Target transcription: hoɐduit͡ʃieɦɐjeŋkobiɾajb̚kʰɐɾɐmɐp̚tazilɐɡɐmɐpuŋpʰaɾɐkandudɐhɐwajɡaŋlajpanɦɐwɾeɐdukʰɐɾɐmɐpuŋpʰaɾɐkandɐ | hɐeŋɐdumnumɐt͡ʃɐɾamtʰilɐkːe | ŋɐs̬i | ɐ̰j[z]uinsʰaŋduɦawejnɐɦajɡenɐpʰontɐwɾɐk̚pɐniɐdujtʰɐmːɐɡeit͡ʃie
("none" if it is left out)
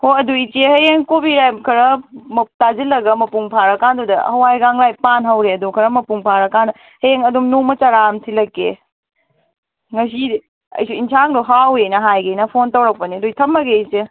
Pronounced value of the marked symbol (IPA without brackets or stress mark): s